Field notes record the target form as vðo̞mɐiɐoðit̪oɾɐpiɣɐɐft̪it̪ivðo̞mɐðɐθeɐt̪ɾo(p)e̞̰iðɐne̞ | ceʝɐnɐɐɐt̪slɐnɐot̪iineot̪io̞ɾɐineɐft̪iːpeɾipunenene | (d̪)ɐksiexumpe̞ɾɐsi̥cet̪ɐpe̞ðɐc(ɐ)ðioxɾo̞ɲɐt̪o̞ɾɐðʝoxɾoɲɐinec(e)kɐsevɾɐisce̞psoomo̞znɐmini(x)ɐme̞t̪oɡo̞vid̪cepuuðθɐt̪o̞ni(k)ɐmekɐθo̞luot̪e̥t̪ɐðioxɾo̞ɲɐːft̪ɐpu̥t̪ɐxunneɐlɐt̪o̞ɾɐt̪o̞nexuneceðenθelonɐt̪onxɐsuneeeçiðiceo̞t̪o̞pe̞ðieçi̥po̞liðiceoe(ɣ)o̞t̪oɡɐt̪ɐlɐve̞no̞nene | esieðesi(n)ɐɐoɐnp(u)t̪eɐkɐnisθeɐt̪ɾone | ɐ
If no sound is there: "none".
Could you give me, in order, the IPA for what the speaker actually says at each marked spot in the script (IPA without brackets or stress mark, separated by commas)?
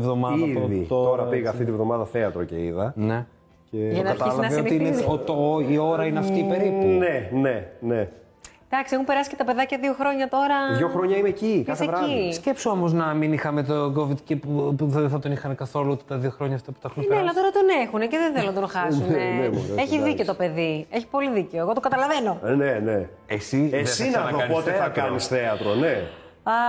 c, d̪, ɐ, i, x, x, ɣ, n, o